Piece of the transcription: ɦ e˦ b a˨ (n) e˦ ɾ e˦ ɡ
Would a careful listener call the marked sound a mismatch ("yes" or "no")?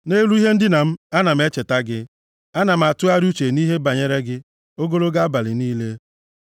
yes